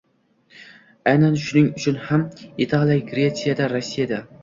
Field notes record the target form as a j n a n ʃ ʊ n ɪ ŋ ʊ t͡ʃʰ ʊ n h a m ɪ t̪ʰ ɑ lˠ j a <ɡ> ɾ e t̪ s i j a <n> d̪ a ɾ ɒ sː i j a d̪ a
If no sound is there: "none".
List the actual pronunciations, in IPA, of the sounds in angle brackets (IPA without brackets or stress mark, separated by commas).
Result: ɡ, none